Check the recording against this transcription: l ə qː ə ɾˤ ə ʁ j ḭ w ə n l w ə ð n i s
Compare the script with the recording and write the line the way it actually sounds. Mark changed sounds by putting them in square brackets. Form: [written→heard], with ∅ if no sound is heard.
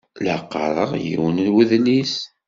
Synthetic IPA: l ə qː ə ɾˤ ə ʁ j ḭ w ə n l w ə ð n i s